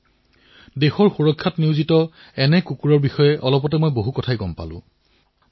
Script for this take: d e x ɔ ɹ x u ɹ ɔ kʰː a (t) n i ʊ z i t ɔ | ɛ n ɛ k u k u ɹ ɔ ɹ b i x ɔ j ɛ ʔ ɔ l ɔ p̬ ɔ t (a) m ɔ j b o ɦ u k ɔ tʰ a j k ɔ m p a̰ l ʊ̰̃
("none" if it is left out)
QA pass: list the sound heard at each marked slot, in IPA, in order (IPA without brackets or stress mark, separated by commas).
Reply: t, ɛ